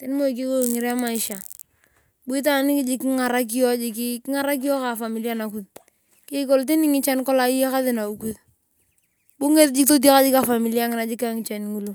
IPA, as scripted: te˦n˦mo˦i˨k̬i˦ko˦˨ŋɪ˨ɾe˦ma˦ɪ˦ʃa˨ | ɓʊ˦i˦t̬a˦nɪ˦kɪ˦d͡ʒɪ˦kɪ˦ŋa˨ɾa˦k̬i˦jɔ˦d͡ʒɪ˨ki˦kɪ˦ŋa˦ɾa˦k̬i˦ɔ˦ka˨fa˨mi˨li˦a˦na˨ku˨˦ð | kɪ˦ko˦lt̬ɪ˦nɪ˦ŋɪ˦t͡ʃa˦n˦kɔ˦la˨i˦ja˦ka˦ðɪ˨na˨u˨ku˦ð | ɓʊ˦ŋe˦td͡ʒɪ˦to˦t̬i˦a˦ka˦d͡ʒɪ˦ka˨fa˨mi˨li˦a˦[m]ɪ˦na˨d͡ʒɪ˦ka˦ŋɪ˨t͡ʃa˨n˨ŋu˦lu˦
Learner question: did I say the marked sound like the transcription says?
no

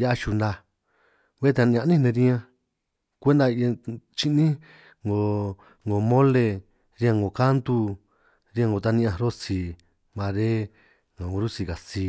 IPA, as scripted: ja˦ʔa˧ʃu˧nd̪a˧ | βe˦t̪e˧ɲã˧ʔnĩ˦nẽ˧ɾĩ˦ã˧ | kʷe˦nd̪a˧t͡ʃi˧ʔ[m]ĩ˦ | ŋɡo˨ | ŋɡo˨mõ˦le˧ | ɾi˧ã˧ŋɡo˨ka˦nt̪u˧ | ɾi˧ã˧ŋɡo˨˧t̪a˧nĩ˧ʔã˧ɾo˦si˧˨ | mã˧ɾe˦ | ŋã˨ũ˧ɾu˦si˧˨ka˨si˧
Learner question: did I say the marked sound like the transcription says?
no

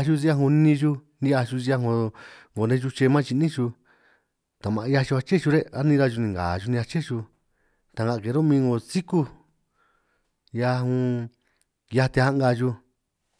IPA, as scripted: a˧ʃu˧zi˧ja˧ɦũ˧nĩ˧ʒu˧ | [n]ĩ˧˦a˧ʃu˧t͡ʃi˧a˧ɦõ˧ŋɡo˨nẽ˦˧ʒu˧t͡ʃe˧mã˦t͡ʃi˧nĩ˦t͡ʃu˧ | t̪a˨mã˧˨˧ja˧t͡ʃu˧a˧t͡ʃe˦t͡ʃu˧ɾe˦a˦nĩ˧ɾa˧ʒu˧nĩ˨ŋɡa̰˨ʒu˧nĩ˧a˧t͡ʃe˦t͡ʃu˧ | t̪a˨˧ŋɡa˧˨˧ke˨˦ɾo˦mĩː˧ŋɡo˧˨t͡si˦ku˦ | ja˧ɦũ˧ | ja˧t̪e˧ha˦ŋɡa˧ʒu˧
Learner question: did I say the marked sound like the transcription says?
yes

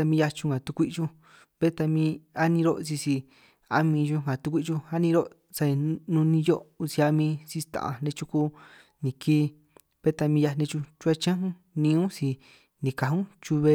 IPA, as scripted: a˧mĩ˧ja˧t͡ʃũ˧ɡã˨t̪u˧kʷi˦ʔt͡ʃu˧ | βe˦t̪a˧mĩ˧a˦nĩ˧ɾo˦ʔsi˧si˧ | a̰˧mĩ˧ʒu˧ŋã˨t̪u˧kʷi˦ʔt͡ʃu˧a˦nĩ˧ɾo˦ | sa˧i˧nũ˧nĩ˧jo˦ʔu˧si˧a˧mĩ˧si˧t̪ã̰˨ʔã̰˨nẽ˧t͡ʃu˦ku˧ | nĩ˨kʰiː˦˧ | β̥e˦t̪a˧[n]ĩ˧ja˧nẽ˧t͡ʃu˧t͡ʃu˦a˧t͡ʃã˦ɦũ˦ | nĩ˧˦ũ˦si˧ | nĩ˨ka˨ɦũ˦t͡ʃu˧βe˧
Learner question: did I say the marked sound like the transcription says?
no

